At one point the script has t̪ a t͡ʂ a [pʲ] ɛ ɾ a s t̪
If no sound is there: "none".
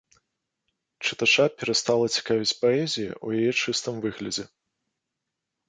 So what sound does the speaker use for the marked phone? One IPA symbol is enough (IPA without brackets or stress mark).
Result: pʲ